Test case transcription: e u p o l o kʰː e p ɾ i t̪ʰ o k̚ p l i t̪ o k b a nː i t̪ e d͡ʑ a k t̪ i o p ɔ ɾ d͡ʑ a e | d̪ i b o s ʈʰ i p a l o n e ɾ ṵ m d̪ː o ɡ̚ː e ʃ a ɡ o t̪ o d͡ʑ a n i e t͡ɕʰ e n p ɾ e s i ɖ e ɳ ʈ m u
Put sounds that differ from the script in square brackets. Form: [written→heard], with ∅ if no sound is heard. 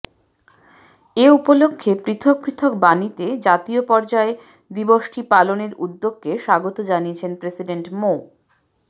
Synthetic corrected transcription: e u p o l o kʰː e p ɾ i t̪ʰ o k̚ p [l→ɾ] i [t̪→t̪ʰ] o k b a [nː→n] i t̪ e d͡ʑ a [k→∅] t̪ i o p ɔ ɾ d͡ʑ a e | d̪ i b o [s→ʃ] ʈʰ i p a l o n e ɾ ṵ [m→∅] d̪ː o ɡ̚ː e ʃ a ɡ o t̪ o d͡ʑ a n i e t͡ɕʰ e n p ɾ e s i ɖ e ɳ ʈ m [u→o]